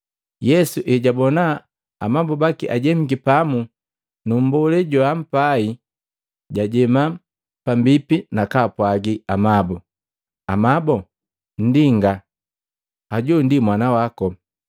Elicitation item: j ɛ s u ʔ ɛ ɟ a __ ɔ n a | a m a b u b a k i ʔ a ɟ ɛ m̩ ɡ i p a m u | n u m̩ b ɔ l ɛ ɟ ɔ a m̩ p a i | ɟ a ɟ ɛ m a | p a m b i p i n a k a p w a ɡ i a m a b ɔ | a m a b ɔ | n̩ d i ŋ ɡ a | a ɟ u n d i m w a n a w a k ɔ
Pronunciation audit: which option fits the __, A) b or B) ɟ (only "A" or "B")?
A